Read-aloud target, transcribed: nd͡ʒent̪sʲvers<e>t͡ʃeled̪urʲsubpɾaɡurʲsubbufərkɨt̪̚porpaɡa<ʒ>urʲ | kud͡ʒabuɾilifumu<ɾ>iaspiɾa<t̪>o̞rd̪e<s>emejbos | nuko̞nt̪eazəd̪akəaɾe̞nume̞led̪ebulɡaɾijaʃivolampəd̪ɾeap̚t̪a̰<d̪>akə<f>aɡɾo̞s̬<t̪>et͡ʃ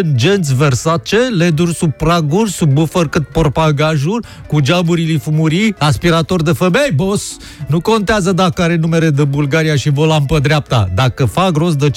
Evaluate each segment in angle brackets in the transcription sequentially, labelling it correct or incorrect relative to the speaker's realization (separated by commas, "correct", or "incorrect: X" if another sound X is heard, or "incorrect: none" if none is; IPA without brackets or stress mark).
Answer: incorrect: a, correct, correct, correct, incorrect: f, correct, correct, incorrect: d̪